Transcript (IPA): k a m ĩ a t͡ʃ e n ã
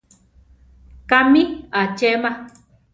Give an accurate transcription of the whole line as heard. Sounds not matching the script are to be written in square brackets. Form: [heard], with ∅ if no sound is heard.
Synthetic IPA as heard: k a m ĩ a t͡ʃ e [m] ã